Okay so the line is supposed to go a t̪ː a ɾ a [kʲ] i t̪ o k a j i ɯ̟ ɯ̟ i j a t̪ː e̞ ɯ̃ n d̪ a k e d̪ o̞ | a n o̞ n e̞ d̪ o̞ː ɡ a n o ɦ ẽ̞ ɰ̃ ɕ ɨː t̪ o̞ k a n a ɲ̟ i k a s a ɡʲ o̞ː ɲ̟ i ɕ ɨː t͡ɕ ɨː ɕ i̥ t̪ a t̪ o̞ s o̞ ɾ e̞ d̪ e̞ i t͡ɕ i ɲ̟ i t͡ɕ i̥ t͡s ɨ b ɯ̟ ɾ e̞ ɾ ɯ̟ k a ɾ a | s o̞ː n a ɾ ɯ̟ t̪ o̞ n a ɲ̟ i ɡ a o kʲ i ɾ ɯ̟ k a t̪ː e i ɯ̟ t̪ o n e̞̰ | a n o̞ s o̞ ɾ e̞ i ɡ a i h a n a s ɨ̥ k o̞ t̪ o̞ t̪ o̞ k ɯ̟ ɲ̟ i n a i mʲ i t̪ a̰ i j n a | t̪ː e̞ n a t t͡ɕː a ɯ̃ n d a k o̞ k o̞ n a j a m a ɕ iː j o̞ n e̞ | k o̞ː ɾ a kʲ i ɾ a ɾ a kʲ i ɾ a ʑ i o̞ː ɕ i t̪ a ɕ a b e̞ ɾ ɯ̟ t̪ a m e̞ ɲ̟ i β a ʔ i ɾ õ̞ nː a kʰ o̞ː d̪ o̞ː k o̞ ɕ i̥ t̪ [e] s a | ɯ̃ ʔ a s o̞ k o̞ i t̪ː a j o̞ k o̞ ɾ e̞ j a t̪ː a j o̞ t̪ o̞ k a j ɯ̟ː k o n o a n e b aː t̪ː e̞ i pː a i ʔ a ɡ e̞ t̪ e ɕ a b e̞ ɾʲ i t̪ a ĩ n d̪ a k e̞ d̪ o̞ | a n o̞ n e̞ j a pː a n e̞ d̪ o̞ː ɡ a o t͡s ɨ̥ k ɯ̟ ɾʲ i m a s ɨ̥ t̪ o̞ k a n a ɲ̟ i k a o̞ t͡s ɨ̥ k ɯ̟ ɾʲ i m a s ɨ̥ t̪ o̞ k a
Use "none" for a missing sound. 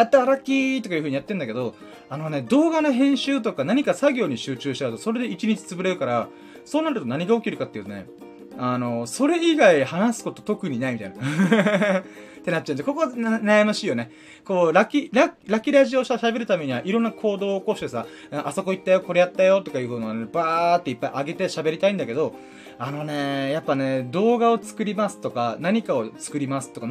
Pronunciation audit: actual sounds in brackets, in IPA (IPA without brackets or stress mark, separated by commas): kʲ, e